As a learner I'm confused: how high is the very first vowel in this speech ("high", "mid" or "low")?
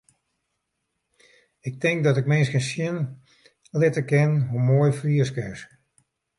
high